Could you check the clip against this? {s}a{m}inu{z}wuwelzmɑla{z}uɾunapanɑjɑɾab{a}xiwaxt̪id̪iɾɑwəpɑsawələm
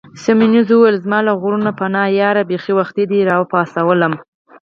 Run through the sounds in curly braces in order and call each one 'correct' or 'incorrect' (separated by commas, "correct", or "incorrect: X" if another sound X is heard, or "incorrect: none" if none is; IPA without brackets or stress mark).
correct, correct, correct, incorrect: ɣ, incorrect: e